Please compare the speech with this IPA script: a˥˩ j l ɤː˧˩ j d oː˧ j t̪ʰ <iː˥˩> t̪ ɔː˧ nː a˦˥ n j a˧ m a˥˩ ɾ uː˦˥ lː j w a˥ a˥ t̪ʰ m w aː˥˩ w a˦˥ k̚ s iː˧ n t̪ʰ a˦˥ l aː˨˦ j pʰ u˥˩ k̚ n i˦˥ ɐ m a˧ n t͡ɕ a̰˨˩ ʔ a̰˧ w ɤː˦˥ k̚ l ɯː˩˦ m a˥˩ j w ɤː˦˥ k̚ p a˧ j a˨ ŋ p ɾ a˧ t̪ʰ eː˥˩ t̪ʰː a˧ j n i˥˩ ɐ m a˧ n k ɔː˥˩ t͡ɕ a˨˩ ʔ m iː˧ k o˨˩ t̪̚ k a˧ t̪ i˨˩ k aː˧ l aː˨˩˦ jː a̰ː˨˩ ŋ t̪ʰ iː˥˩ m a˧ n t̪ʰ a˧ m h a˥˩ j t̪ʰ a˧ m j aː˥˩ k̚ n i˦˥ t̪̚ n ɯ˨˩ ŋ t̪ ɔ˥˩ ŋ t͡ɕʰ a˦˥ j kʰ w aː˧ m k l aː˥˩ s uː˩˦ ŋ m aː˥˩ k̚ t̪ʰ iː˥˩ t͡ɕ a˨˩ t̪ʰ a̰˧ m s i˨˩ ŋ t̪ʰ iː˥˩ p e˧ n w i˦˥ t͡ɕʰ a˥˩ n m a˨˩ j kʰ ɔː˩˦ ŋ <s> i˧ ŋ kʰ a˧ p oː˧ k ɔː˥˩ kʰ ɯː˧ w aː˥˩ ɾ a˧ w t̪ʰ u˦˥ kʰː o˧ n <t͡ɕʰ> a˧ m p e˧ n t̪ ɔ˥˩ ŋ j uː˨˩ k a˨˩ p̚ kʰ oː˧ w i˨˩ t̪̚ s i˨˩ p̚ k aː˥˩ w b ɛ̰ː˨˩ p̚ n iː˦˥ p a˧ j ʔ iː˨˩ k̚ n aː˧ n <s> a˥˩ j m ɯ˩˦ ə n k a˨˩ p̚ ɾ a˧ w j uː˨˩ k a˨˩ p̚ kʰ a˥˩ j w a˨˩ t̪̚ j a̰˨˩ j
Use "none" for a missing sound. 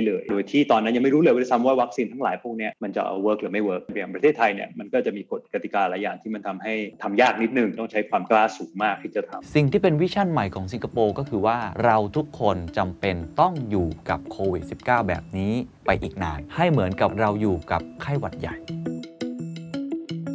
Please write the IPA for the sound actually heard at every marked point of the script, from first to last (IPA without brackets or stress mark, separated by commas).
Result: iː˥˩, s, t͡ɕ, h